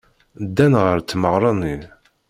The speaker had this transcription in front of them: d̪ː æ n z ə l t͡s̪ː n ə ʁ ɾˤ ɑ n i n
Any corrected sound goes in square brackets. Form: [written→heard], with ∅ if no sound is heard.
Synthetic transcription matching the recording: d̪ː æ n [z→ʁ] ə [l→ɾ] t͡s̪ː [n→m] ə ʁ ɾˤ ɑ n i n